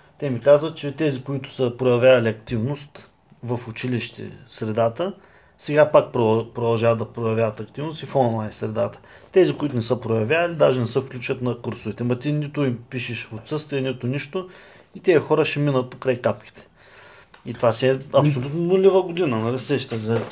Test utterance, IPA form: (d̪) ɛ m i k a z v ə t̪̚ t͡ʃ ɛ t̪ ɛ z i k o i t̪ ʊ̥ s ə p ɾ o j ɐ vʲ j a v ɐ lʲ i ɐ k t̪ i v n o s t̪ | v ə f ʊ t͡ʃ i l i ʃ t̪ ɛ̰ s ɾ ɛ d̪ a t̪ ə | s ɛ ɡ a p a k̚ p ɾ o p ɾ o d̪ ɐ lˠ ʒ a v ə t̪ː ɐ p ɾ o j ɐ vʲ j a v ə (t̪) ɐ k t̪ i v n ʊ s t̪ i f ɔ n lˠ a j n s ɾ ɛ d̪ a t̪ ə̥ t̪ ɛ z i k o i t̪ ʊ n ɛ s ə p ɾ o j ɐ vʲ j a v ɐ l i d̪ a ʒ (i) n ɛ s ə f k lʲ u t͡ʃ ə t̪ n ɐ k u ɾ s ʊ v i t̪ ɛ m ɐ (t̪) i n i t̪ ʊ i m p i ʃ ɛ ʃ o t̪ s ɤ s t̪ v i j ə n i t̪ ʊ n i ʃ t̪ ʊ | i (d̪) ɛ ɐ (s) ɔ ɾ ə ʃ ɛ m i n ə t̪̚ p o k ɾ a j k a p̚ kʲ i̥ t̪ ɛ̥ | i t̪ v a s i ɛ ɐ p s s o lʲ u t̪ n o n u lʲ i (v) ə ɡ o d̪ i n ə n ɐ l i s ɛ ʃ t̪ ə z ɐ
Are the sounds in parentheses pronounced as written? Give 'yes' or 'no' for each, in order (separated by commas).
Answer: no, yes, no, yes, no, no, yes